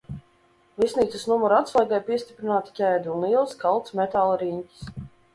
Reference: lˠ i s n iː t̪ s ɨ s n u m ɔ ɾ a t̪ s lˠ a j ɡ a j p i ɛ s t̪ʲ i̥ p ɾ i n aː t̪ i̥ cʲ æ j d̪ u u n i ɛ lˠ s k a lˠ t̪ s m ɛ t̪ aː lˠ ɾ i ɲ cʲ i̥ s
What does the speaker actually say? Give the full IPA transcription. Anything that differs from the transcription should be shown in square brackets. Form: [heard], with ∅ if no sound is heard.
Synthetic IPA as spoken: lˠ i s n iː t̪ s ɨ s n u m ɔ ɾ a t̪ s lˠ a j ɡ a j p i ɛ s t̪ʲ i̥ p ɾ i n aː t̪ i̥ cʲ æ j d̪ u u n i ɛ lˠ s k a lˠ t̪ s m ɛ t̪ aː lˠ ɾ i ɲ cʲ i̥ s